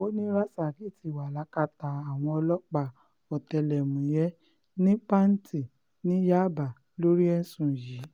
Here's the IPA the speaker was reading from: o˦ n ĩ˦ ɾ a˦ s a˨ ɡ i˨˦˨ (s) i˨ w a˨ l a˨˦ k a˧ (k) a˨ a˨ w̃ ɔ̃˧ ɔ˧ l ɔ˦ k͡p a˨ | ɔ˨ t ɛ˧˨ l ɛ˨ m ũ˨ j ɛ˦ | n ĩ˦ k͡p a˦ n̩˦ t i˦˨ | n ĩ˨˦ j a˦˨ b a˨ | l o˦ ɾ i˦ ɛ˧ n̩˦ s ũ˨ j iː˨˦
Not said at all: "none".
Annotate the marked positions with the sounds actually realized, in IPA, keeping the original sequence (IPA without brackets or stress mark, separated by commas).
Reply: t, t